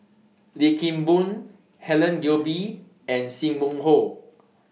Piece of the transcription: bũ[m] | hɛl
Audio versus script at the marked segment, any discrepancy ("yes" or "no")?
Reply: yes